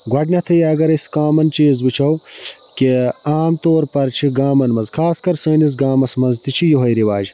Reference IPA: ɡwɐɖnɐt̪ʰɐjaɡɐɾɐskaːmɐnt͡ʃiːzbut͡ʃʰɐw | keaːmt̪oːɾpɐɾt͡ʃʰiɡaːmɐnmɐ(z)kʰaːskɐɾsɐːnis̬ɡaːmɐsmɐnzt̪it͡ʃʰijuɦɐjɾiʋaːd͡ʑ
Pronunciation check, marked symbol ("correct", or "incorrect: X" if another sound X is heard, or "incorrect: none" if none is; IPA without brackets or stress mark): correct